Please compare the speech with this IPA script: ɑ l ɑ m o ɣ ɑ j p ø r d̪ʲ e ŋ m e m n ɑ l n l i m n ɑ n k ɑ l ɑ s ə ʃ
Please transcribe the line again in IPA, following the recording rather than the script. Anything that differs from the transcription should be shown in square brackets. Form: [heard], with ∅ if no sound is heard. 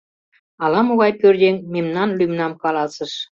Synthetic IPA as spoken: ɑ l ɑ m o ɣ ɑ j p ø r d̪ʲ e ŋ m e m n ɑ [∅] n l [y] m n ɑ [m] k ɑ l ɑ s ə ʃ